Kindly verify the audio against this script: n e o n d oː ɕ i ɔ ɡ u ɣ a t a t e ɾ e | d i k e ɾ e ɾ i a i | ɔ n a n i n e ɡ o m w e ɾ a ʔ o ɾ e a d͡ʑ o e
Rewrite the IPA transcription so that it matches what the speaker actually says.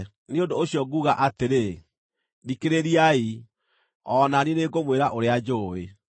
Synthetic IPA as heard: n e o n d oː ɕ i ɔ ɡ u ɣ a ʔ a t e ɾ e | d i k e ɾ e ɾ i a i | ɔ n a n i n e ɡ o m w e ɾ a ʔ o ɾ e a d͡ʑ o e